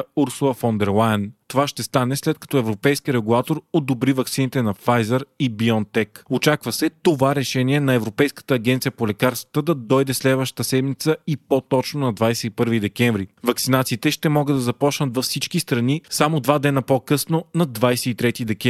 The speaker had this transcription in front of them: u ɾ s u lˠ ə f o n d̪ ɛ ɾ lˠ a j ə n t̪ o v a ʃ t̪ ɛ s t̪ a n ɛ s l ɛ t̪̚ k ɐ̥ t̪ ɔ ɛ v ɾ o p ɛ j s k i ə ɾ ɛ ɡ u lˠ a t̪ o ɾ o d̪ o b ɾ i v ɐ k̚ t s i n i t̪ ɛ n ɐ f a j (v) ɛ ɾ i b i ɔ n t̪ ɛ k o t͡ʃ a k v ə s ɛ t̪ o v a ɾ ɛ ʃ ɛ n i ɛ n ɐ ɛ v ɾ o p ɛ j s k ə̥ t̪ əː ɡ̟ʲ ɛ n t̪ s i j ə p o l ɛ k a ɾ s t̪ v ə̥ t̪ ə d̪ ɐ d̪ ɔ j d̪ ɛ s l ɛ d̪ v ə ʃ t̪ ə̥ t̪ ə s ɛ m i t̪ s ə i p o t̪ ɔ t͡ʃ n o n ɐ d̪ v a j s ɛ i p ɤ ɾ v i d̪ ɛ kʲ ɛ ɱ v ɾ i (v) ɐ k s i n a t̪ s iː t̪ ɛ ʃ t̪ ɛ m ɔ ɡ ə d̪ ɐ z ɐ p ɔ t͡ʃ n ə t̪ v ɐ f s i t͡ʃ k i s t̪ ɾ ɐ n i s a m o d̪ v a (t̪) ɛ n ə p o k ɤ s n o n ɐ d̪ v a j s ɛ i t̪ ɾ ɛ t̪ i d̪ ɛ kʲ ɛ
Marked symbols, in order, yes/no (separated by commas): no, yes, no